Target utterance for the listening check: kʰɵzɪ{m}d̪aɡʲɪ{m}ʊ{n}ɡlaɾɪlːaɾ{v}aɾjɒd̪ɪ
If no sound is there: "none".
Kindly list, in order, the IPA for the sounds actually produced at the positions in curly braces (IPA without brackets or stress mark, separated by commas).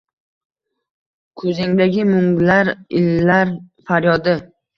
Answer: ŋ, m, ŋ, f